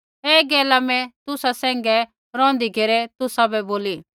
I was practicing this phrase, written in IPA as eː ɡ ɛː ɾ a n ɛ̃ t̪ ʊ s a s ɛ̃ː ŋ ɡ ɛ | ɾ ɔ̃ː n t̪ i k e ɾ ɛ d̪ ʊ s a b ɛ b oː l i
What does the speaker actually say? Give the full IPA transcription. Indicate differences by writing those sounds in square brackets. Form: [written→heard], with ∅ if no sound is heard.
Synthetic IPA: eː ɡ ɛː [ɾ→l] a [n→m] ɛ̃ t̪ ʊ s a s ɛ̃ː ŋ ɡ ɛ | ɾ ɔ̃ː n [t̪→d̪] i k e ɾ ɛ [d̪→t̪] ʊ s a b ɛ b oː l i